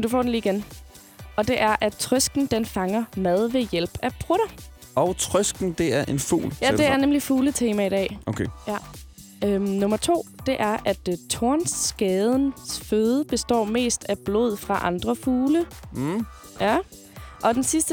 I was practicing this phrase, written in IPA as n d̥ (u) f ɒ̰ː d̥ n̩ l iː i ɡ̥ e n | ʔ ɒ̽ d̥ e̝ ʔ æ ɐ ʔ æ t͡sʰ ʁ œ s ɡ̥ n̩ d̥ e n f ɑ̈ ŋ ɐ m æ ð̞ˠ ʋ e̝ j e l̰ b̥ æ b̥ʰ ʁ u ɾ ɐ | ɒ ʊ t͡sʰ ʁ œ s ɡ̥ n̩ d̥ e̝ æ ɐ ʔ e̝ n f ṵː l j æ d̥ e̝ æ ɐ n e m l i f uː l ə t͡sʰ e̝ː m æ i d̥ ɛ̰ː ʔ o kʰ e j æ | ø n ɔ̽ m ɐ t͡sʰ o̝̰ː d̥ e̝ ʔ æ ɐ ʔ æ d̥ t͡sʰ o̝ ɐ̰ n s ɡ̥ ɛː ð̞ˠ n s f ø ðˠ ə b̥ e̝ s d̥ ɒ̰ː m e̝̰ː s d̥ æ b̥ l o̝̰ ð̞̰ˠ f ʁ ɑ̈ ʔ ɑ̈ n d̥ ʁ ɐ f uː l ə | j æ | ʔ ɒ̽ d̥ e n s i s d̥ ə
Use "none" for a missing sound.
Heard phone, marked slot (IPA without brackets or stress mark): u